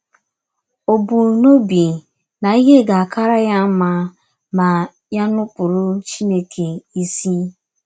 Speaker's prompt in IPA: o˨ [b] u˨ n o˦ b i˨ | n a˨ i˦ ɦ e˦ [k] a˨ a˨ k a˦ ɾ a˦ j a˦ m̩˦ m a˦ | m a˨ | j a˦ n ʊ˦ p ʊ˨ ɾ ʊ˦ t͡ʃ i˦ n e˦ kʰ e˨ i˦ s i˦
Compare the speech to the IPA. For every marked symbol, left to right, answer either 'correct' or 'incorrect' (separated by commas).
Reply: correct, incorrect